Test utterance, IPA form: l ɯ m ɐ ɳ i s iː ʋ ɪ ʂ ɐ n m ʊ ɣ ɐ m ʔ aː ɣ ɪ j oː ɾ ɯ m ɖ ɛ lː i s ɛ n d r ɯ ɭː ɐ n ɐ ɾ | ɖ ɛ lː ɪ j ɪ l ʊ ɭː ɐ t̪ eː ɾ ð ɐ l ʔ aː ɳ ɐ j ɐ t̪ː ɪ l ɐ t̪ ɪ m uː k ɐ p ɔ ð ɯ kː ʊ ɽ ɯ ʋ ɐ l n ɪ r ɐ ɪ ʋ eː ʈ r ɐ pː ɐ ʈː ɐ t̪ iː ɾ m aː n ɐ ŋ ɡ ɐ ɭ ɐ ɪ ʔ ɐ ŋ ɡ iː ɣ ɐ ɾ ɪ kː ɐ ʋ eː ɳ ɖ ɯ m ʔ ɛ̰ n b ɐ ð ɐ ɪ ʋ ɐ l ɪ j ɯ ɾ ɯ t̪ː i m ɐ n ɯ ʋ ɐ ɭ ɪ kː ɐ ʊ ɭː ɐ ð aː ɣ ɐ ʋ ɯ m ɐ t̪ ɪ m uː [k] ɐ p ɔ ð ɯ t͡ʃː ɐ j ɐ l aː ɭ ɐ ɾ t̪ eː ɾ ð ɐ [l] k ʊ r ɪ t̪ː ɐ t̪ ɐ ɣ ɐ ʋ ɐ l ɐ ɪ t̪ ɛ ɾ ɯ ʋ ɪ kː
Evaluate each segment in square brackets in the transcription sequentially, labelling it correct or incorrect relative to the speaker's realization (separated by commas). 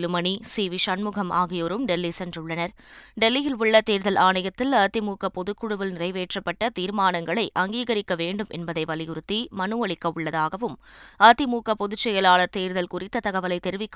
correct, correct